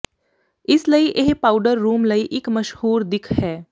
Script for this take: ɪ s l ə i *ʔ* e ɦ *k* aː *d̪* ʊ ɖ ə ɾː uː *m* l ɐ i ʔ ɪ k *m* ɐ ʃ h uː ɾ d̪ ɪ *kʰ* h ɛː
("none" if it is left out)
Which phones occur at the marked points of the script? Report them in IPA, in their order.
ʔ, p, none, m, m, kʰ

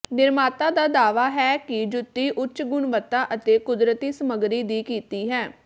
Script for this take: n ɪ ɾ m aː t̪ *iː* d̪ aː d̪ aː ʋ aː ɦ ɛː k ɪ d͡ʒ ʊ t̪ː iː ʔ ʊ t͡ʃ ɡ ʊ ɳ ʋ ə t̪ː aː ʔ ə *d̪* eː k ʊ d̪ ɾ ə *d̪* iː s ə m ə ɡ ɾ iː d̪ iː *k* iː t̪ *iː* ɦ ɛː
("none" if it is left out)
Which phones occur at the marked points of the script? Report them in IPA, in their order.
aː, t̪, t̪, k, iː

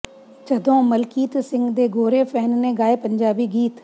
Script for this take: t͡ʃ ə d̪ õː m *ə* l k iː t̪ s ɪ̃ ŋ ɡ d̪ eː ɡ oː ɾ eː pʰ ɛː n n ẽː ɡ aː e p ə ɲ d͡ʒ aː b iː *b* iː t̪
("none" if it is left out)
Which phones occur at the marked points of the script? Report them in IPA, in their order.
ə, ɡ

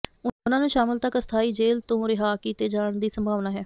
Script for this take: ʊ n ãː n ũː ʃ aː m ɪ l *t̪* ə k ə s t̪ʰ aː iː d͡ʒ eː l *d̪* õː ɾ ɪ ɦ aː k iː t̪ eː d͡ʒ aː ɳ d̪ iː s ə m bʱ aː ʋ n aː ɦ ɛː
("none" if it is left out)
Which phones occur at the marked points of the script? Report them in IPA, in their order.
t̪, t̪

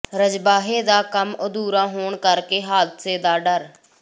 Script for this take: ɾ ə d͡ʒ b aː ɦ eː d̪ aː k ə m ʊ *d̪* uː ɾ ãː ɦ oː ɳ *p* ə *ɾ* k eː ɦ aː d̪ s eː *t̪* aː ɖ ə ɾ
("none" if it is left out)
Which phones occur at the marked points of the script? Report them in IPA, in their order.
d̪, k, ɾ, d̪

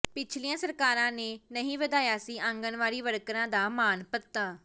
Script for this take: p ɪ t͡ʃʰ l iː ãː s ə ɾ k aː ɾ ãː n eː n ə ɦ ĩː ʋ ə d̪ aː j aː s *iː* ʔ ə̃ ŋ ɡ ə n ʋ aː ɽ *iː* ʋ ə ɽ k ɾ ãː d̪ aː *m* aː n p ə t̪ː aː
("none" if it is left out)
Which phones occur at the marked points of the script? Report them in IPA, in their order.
iː, iː, m

